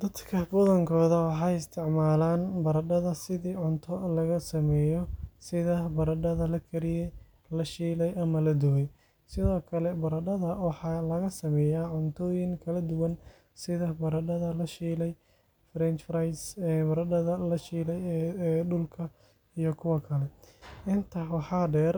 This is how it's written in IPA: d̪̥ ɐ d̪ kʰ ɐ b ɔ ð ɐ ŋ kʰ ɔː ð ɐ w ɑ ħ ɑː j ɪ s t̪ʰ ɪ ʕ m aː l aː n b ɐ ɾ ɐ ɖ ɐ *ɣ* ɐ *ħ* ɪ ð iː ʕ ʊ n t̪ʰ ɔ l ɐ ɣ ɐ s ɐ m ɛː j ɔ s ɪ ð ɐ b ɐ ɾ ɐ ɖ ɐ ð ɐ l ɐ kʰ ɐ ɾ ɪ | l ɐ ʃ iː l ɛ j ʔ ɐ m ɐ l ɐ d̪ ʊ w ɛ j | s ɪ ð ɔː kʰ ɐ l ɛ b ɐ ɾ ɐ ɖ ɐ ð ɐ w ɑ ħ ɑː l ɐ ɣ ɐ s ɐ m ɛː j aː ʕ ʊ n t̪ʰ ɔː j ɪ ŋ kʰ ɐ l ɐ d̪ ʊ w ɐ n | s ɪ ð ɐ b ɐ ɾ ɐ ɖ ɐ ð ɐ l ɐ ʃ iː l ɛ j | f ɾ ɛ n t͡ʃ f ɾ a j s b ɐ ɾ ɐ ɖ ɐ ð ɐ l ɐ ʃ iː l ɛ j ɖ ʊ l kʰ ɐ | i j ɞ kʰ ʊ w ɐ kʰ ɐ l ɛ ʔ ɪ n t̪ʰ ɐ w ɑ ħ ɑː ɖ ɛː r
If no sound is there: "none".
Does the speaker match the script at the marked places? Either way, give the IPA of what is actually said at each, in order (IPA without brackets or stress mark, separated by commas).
ð, s